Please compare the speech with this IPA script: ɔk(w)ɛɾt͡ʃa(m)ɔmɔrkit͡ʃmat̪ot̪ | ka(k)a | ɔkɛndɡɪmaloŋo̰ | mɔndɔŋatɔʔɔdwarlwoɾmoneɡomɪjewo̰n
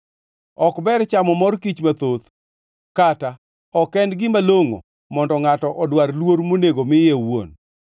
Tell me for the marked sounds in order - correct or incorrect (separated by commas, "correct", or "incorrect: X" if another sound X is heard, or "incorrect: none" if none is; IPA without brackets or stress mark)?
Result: incorrect: b, correct, incorrect: t